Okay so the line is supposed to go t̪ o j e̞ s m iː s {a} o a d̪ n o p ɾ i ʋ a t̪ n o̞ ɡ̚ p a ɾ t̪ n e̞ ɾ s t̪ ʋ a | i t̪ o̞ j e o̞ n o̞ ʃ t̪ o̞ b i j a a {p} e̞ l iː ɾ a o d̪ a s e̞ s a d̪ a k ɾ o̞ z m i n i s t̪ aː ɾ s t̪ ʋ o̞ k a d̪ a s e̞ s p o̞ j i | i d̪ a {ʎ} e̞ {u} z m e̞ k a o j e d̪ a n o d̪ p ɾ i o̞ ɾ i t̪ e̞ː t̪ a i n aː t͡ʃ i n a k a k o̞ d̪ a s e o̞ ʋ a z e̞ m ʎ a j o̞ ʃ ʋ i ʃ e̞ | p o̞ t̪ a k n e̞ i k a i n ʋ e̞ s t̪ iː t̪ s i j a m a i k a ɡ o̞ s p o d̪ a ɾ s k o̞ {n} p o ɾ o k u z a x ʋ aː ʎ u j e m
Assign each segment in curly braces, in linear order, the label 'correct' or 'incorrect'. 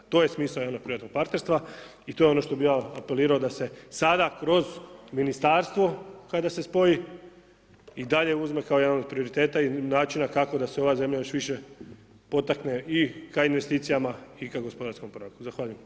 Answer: correct, correct, correct, correct, incorrect: m

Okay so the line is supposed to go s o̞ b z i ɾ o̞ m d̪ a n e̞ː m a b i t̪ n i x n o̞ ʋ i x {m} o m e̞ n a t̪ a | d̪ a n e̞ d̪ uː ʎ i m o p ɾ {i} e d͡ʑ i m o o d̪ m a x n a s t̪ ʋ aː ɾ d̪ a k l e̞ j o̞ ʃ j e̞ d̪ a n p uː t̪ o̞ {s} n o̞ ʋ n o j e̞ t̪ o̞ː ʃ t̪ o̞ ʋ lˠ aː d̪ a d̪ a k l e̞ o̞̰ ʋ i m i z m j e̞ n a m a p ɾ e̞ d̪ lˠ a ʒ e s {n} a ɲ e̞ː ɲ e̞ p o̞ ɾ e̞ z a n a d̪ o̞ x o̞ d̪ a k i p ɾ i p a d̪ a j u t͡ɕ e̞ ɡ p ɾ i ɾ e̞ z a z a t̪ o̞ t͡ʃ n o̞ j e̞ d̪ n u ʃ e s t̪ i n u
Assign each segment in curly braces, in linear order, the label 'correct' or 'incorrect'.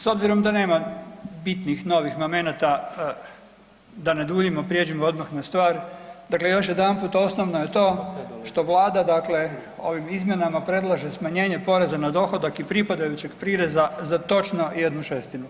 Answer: correct, incorrect: j, correct, incorrect: m

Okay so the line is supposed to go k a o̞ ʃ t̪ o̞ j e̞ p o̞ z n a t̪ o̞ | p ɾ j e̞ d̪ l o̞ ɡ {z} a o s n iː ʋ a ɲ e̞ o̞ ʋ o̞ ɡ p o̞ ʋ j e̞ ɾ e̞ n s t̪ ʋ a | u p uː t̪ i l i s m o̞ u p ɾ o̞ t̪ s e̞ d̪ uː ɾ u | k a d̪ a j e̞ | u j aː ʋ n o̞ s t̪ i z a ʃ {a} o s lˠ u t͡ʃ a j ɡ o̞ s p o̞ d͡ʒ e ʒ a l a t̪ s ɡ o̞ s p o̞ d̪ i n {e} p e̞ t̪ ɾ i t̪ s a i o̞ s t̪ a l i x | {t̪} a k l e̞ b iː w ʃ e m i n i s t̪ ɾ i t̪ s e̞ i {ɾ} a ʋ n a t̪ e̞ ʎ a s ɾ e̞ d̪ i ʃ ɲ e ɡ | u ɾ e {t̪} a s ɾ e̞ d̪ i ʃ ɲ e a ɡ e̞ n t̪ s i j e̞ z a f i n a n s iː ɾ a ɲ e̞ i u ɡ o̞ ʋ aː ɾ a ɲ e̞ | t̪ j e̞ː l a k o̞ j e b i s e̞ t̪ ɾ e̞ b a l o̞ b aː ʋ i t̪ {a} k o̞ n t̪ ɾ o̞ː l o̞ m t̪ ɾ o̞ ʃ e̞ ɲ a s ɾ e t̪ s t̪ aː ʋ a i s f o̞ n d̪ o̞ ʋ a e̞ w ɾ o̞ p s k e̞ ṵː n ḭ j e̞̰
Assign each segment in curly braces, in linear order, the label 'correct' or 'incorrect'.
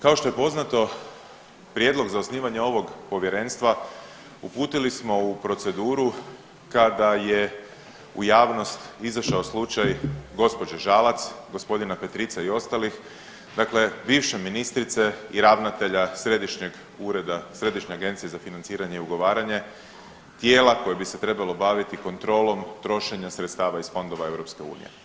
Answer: correct, correct, incorrect: a, incorrect: d̪, correct, incorrect: d̪, incorrect: i

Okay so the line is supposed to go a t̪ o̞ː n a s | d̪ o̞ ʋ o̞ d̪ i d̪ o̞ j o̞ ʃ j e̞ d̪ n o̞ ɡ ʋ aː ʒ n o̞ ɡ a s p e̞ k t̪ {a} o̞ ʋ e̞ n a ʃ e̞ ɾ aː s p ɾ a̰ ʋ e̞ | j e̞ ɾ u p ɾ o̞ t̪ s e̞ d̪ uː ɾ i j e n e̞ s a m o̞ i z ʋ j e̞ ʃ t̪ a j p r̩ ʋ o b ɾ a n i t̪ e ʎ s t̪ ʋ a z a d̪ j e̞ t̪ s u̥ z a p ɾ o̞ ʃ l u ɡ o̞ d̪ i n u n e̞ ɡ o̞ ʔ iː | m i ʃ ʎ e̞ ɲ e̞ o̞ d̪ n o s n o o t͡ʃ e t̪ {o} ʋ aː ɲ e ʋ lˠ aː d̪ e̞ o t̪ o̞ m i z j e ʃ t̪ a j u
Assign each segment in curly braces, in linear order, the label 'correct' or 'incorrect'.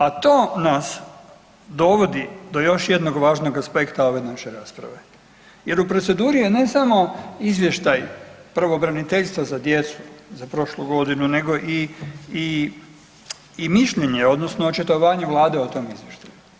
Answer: correct, correct

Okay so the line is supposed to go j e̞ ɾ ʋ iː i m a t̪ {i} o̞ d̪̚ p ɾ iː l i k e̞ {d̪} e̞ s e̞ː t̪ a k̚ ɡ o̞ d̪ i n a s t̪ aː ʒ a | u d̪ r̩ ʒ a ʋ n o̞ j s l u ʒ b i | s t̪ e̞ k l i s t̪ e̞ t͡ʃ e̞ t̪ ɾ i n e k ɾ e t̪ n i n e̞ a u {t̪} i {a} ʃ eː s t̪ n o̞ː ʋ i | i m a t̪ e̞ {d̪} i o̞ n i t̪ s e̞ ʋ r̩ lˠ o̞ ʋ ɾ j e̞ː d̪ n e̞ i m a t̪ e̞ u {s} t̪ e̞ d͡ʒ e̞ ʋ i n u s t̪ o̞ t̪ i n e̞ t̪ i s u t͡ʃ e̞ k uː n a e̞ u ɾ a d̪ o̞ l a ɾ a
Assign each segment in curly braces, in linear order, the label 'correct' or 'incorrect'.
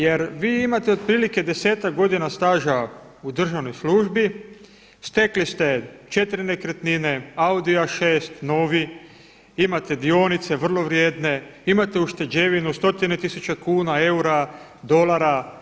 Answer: incorrect: e, correct, incorrect: d̪, correct, correct, incorrect: ʃ

